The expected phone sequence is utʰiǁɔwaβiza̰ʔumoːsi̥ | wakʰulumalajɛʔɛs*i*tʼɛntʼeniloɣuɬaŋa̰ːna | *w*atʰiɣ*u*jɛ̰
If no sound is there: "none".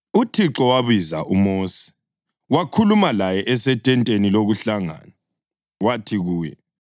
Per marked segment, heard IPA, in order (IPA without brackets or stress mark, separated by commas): ɛ, w, uː